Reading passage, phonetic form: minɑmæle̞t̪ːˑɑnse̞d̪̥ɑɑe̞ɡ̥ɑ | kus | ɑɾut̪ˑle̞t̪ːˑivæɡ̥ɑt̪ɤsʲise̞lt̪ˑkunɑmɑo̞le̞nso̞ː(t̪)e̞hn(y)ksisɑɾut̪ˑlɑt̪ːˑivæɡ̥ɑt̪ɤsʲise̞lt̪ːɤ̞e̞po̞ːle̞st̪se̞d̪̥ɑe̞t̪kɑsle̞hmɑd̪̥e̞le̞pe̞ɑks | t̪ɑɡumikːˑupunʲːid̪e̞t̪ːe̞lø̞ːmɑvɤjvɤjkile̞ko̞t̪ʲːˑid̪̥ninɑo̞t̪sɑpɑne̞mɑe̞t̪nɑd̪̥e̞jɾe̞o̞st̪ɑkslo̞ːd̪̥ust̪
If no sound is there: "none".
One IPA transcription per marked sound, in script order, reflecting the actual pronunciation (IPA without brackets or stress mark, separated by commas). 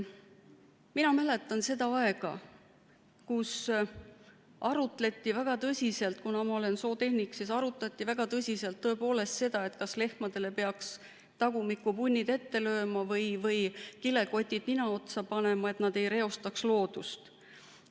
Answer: t̪, i